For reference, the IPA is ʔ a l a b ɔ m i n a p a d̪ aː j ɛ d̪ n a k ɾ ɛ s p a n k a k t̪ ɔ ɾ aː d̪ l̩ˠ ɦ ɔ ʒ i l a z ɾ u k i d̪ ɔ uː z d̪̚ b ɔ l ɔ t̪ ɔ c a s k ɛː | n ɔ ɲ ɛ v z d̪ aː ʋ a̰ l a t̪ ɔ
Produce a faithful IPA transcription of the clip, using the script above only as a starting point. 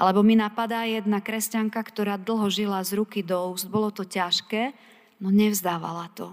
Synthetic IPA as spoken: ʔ a l ɛ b ɔ m i n a p a d̪ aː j ɛ d̪ n a k ɾ ɛ s c a ŋ k a k t̪ ɔ ɾ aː d̪ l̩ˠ ɦ ɔ ʒ i l a z ɾ u k i d̪ ɔ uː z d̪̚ b ɔ l ɔ t̪ ɔ c a ʃ k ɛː | n ɔ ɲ ɛ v z d̪ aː ʋ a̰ l a t̪ ɔ